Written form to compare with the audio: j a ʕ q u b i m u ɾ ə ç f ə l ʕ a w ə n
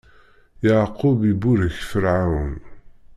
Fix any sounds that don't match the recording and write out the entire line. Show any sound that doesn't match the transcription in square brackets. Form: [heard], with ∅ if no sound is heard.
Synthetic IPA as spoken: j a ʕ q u b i [b] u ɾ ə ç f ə [ɾ] ʕ a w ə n